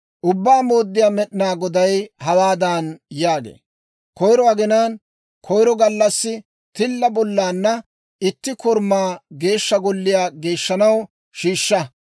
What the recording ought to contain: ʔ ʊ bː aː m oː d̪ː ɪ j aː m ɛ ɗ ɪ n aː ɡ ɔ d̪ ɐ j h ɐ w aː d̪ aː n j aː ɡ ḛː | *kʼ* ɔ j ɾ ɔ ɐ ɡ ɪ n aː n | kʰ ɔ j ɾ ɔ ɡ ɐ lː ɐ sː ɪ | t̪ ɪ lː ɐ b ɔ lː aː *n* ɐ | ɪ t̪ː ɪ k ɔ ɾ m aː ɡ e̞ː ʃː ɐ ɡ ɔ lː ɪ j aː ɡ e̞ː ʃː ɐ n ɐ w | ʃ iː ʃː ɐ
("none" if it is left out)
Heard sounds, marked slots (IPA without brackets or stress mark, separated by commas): k, nː